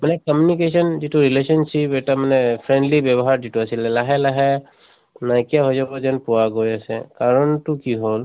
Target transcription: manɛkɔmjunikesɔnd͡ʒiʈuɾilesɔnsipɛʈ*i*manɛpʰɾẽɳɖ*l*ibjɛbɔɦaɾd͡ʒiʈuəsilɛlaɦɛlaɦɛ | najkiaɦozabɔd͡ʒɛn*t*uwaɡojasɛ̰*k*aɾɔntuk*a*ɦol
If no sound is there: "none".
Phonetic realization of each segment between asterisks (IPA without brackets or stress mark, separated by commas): a, l, p, k, i